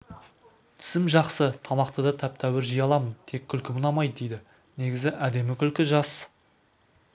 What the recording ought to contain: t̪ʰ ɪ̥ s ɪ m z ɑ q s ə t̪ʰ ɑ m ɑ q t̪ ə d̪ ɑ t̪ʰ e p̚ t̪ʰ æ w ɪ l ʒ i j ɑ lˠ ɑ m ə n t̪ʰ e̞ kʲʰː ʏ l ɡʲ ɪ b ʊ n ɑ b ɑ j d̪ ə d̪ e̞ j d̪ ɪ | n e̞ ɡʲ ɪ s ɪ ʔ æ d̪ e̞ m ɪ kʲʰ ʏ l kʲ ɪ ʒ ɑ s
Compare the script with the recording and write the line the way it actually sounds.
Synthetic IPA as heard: t̪ʰ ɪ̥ s ɪ m ʒ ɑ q s ə t̪ʰ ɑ m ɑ q t̪ ə d̪ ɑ t̪ʰ æ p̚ t̪ʰ æ w ɪ ɾ ʒ i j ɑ lˠ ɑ m ə n t̪ʰ e̞ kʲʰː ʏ l kʲ ɪ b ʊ n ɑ m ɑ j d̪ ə d̪ e̞ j d̪ ɪ | n e̞ ɡʲ ɪ z ɪ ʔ æ d̪ e̞ m ɪ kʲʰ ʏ l kʲ ɪ ʒ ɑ s